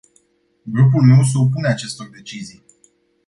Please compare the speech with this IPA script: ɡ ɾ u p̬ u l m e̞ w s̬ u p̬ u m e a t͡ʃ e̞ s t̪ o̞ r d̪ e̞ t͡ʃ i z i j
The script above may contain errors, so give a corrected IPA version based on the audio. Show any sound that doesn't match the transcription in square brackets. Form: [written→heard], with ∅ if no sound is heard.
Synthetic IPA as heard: ɡ ɾ u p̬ u l m e̞ w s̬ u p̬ u [m→n] e a t͡ʃ e̞ s t̪ o̞ r d̪ e̞ t͡ʃ i z i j